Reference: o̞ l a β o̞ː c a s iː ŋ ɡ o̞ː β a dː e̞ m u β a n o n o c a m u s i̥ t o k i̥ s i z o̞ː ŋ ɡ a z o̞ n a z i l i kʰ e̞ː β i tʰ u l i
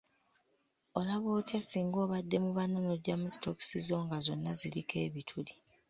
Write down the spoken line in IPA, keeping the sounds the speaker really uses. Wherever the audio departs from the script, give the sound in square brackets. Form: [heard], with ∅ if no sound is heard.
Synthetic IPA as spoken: o̞ l a β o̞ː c a s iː ŋ ɡ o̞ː β a dː e̞ m u β a n o n o [ɟ] a m u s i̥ t o k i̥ s i z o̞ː ŋ ɡ a z o̞ [nː] a z i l i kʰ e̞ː β i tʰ u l i